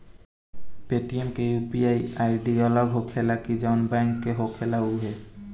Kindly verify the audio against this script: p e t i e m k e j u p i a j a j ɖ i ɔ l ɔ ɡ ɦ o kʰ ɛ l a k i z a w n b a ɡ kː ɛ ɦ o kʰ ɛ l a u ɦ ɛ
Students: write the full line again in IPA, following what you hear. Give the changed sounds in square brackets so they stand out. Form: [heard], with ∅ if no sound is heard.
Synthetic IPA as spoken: p e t i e m k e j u p i a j a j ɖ i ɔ l ɔ ɡ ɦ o kʰ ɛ l a k i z a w n b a [ŋ] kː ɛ ɦ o kʰ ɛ l a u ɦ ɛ